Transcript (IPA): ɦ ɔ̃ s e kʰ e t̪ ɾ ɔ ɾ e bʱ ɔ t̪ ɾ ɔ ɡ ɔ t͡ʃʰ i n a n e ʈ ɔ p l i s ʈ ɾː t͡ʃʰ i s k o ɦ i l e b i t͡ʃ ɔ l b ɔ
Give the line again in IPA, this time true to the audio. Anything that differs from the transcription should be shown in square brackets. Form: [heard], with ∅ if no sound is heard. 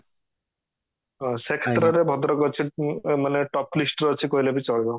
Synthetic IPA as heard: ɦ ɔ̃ s e kʰ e t̪ ɾ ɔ ɾ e bʱ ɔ [d̪] ɾ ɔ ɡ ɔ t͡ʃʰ i [m] a n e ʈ ɔ p l i s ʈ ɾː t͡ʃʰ i [∅] k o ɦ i l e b i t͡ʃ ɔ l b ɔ